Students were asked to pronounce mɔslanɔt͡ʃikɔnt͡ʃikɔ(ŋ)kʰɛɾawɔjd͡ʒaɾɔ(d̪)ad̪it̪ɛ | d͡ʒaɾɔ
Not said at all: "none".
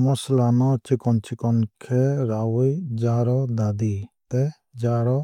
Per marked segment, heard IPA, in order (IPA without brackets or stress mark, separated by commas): n, d̪